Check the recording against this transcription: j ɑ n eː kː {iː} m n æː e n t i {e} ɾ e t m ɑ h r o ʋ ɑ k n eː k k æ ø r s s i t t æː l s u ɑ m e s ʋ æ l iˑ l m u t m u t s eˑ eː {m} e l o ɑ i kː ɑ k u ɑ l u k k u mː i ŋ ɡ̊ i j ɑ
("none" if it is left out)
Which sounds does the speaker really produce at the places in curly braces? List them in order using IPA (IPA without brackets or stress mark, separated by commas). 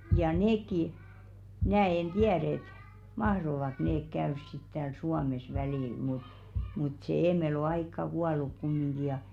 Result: i, æ, m